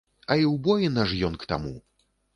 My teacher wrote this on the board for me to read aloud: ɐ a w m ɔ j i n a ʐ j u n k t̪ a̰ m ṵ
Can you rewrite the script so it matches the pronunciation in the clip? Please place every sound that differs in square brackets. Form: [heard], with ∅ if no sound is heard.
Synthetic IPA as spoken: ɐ [i] w [b] ɔ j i n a ʐ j [ɔ] n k t̪ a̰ m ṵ